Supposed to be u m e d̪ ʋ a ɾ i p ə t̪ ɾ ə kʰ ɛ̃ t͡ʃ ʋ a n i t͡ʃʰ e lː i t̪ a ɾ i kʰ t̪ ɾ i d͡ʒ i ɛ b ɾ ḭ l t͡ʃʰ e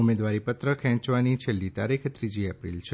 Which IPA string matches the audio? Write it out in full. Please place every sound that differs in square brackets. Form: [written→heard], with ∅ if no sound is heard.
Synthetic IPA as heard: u m e d̪ ʋ a ɾ i p ə t̪ ɾ ə kʰ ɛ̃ t͡ʃ ʋ a n i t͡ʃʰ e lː i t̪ a ɾ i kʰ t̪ ɾ i d͡ʒ i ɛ [b→p] ɾ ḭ l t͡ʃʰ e